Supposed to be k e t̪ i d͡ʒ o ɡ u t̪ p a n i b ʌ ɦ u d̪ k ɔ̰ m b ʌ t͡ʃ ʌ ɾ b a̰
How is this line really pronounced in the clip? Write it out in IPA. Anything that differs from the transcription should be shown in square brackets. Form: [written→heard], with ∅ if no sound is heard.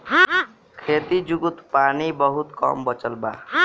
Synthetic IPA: [k→kʰ] e t̪ i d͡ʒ [o→u] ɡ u t̪ p a n i b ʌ ɦ u [d̪→t̪] k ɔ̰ m b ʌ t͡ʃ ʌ [ɾ→l] b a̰

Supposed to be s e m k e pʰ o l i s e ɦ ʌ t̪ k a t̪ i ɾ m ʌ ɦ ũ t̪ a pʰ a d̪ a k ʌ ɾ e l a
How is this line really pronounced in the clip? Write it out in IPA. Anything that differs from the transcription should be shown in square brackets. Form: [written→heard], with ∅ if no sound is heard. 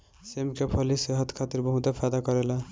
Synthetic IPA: s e m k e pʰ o l i s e ɦ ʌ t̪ [k→kʰ] a t̪ i ɾ [m→b] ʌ ɦ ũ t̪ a pʰ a d̪ a k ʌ ɾ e l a

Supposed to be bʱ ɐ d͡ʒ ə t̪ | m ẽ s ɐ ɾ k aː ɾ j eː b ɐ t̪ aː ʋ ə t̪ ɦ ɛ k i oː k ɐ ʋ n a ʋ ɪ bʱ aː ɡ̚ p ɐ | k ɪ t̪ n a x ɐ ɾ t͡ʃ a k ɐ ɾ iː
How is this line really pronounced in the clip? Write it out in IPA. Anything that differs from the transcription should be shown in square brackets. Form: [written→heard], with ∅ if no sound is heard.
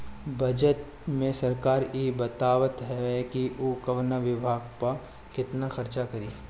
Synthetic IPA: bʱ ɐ d͡ʒ ə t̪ | m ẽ s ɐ ɾ k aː ɾ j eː b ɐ t̪ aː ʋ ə t̪ ɦ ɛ k i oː k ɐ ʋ n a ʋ ɪ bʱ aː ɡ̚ p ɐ | k ɪ t̪ n a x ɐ ɾ t͡ʃ a k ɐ ɾ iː

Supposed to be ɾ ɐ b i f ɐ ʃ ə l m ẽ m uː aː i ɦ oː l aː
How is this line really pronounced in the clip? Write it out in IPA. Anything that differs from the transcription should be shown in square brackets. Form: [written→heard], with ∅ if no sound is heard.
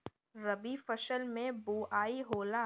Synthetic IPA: ɾ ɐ b i f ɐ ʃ ə l m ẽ [m→b] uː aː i ɦ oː l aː

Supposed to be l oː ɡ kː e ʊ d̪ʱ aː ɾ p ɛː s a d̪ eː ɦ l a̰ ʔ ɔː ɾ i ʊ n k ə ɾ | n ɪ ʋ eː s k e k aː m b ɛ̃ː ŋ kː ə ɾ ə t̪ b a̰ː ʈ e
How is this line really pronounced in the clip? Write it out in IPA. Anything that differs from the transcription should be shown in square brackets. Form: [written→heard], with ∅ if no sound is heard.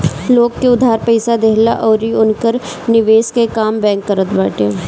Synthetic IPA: l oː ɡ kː e ʊ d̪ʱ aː ɾ p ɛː s a d̪ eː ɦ l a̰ ʔ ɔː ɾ i ʊ n k ə ɾ | n ɪ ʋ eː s k e k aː m b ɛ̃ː ŋ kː ə ɾ ə t̪ b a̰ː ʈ e

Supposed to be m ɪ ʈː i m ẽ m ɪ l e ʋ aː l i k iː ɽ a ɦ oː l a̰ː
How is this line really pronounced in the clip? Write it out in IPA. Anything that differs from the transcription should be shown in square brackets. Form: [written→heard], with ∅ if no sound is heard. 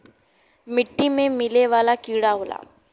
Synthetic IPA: m ɪ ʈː i m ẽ m ɪ l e ʋ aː l [i→a] k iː ɽ a ɦ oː l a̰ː

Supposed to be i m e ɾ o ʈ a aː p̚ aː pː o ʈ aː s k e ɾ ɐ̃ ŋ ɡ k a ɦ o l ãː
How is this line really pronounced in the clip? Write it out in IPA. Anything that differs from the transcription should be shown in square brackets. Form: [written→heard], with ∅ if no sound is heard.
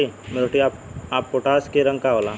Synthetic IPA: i m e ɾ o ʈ [a→i] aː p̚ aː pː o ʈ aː s k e ɾ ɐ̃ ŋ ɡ k a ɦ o l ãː

